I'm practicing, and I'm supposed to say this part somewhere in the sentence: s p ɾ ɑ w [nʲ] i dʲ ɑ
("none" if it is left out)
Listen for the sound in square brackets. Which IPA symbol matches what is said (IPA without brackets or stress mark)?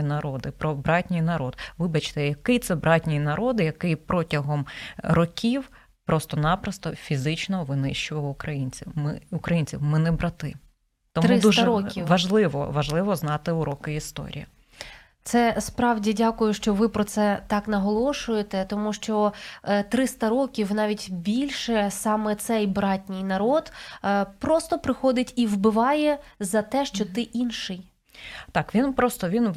dʲ